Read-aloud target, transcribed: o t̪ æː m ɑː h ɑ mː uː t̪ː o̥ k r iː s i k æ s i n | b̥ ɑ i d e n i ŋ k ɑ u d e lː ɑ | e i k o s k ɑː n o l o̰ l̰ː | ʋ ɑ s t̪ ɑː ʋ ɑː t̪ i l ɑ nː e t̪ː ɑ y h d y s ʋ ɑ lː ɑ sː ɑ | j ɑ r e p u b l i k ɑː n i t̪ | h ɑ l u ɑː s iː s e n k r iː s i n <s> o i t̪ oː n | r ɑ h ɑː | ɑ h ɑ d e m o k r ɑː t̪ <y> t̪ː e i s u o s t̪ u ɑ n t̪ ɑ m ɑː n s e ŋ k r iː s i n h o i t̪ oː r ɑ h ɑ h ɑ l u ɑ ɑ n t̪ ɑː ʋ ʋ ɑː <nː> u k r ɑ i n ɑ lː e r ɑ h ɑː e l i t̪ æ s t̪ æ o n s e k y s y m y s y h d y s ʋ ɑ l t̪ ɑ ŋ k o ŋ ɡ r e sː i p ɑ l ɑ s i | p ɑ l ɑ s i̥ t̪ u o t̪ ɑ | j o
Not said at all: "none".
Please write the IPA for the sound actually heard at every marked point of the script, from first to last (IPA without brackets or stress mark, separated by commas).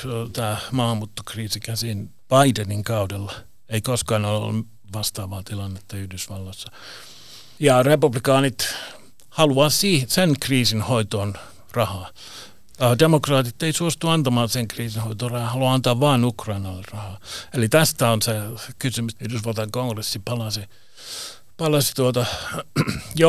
h, i, n